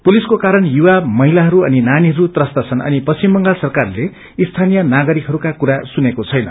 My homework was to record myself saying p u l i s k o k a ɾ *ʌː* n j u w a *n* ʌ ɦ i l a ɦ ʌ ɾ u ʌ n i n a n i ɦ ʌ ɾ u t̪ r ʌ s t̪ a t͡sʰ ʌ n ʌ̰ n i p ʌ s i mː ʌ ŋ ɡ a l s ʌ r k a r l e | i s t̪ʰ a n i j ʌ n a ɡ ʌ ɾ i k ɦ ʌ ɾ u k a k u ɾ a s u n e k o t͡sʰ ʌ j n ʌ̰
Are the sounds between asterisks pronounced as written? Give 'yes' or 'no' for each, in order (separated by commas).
no, no